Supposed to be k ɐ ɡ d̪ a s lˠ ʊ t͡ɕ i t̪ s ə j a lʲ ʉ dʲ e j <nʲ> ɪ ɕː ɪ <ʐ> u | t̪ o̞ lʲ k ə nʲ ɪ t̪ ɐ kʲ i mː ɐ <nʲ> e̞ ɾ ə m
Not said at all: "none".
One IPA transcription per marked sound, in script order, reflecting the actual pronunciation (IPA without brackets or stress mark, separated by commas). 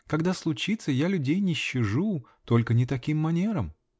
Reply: nʲ, ʐ, nʲ